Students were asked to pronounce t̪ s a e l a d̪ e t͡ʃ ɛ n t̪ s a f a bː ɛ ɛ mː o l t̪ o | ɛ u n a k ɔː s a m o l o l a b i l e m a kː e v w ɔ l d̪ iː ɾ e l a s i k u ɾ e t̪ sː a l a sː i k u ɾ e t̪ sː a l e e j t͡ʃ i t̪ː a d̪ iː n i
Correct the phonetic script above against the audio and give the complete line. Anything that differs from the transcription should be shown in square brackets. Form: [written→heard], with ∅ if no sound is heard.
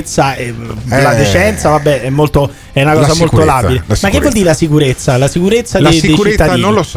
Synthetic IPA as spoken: t̪ s a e l a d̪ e t͡ʃ ɛ n t̪ s a [f→v] a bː ɛ ɛ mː o l t̪ o | ɛ u n a k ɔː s a m o l o l a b i l e m a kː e v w ɔ l d̪ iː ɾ e l a s i k u ɾ e t̪ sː a l a [sː→s] i k u ɾ e t̪ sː a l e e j t͡ʃ i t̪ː a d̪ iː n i